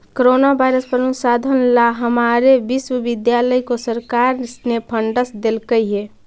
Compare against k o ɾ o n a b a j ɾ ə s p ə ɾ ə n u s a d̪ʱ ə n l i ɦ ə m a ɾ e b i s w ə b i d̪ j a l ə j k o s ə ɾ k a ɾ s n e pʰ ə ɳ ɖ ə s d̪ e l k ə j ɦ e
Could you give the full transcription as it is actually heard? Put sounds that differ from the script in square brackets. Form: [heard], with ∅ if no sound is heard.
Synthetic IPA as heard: k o ɾ o n a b a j ɾ ə s p ə ɾ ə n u s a d̪ʱ ə n l [a] ɦ ə m a ɾ e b i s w ə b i d̪ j a l ə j k o s ə ɾ k a ɾ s n e pʰ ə ɳ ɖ ə s d̪ e l k ə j ɦ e